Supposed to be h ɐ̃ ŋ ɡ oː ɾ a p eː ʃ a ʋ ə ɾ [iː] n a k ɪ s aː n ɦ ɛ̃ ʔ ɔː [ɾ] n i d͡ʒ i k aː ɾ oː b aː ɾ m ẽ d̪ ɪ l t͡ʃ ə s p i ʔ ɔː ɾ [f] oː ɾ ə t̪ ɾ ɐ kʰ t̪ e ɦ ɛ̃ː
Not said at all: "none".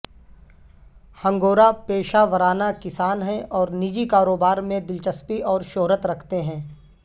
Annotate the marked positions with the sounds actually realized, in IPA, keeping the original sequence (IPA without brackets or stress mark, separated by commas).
aː, ɾ, ʃ